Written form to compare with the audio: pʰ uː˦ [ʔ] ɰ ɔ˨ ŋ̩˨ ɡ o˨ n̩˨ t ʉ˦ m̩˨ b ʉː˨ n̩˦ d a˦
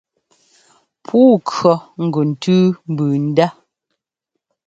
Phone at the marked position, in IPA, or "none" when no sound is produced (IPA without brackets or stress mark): k